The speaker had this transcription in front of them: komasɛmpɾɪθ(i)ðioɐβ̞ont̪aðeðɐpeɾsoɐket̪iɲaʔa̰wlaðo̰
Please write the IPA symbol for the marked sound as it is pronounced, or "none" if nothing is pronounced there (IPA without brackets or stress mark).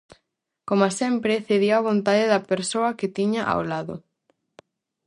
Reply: e